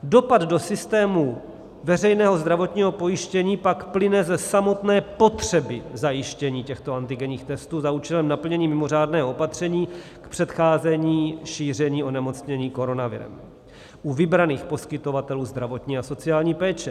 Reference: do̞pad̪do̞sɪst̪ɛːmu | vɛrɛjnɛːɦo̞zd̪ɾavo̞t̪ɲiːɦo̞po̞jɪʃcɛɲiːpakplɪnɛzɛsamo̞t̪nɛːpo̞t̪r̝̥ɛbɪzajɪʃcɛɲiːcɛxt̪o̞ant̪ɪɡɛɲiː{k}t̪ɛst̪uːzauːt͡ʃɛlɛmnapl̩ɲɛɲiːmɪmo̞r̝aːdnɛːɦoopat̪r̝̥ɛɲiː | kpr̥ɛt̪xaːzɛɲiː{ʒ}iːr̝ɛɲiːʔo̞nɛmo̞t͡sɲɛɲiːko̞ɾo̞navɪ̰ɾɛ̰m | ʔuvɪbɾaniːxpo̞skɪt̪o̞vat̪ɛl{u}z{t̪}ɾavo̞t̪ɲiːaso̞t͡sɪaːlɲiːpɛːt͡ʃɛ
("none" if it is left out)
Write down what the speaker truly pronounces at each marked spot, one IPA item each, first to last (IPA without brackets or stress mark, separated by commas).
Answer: x, ʃ, uː, d̪